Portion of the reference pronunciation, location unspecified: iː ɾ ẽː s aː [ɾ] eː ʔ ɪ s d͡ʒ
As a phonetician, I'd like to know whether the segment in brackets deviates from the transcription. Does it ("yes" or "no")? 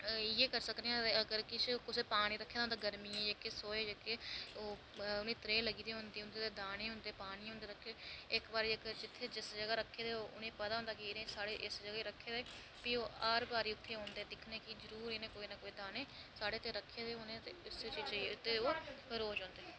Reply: yes